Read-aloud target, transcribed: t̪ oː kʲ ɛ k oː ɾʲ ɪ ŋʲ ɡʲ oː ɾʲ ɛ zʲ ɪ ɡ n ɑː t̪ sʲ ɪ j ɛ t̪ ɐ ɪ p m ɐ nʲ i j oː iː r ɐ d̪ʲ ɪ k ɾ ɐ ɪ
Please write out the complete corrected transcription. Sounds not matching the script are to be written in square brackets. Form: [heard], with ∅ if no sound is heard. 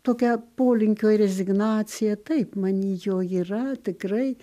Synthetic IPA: t̪ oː kʲ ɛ [p] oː [lʲ] ɪ ŋʲ [kʲ] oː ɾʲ ɛ zʲ ɪ ɡ n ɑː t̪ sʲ ɪ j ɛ t̪ ɐ ɪ p m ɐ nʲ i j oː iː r ɐ [t̪ʲ] ɪ k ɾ ɐ ɪ